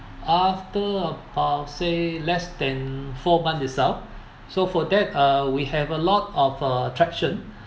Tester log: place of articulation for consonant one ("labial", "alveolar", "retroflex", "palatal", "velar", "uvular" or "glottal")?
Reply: labial